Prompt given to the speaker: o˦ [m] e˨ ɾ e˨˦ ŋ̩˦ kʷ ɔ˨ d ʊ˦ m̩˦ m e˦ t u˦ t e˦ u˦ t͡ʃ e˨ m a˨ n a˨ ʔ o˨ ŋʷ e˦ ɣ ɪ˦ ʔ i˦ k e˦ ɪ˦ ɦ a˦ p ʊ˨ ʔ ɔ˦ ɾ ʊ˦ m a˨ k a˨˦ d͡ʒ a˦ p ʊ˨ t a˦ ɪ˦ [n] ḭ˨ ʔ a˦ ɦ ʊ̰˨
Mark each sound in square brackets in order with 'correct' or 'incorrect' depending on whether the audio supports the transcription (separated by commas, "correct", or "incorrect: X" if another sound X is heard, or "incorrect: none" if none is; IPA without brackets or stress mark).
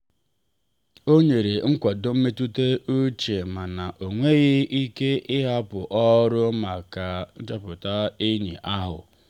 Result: incorrect: ɲ, incorrect: ɲ